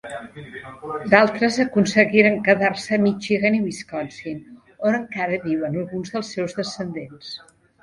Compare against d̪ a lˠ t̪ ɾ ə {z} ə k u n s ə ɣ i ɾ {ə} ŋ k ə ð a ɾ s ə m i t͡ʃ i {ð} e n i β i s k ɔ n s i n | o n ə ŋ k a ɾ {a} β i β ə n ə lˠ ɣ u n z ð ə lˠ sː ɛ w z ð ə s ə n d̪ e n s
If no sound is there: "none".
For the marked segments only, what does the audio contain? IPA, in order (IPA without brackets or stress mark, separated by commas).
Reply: z, ə, ɣ, ə